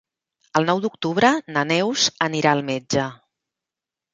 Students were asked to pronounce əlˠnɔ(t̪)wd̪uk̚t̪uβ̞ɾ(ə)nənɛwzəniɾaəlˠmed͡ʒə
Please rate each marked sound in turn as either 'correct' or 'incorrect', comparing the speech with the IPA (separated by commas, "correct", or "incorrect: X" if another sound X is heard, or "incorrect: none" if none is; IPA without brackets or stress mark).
incorrect: none, correct